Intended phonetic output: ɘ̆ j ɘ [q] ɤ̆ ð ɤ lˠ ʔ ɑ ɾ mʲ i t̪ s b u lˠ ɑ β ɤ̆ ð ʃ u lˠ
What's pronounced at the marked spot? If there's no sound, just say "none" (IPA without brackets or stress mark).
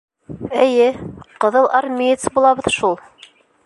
q